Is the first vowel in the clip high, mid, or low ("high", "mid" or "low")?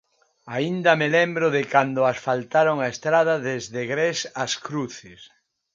low